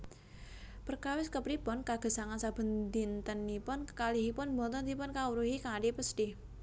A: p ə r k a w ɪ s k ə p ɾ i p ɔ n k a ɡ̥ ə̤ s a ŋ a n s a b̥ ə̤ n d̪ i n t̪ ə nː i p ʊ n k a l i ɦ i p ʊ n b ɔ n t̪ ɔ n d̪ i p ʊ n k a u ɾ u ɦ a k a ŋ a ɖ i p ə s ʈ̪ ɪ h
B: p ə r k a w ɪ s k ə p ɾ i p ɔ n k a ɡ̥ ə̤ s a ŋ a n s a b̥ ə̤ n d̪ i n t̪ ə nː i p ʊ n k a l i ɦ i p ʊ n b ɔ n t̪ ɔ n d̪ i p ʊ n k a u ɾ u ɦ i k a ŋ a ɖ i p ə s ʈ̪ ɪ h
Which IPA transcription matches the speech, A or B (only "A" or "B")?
B